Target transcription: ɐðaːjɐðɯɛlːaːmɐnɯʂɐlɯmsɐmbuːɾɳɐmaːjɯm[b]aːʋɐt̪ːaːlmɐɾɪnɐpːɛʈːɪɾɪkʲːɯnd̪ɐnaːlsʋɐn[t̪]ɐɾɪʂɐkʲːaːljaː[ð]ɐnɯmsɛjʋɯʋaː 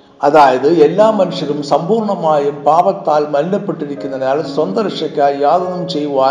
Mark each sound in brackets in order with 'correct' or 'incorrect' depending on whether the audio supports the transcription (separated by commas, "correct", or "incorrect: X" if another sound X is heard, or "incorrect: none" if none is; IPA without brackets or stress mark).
incorrect: p, incorrect: d̪, correct